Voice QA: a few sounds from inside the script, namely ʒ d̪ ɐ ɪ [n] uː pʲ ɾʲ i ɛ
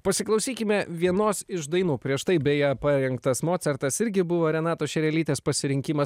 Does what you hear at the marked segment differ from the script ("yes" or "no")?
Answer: no